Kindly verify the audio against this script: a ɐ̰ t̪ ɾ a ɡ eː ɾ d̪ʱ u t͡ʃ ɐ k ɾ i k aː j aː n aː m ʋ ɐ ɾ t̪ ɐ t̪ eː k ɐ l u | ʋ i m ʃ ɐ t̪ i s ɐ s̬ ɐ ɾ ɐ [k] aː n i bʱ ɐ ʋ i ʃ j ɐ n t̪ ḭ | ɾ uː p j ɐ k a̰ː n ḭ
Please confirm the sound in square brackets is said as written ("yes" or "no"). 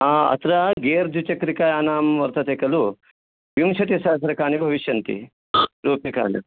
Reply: yes